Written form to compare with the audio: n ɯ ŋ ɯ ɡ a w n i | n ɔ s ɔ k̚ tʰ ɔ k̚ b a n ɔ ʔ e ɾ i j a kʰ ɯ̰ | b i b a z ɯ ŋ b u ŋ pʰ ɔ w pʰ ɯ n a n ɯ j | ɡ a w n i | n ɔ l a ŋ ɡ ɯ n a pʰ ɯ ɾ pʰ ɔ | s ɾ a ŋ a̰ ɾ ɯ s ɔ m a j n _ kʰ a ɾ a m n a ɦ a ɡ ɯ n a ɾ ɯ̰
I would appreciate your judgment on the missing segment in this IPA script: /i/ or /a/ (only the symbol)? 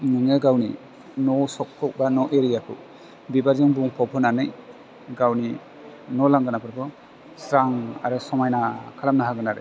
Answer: a